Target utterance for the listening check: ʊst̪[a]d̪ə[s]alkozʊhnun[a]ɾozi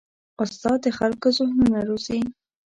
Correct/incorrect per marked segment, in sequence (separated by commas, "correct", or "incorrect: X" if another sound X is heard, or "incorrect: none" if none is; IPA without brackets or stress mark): incorrect: ɑ, incorrect: x, correct